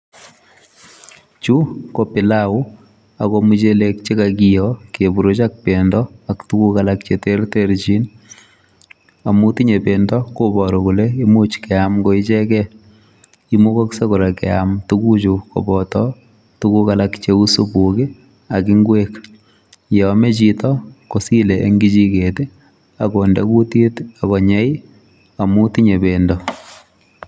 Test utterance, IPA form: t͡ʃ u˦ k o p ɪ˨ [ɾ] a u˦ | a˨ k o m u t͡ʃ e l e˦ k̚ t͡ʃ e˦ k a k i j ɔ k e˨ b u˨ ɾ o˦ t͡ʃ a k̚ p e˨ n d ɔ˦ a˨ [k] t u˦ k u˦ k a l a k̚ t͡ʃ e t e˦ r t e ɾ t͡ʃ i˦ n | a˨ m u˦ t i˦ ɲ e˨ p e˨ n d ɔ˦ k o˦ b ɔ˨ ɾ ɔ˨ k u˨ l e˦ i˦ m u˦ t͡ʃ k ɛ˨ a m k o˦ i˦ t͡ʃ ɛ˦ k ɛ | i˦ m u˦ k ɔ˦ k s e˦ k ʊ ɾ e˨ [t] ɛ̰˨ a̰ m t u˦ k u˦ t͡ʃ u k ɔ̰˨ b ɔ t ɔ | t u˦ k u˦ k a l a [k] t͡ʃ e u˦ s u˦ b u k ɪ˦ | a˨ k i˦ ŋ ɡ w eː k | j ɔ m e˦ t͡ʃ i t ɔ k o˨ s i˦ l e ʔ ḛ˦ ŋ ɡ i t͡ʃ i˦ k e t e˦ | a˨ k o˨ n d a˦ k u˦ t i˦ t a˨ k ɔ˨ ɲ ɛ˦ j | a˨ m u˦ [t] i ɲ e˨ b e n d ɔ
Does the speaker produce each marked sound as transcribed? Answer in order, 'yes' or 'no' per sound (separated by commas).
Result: no, yes, no, yes, yes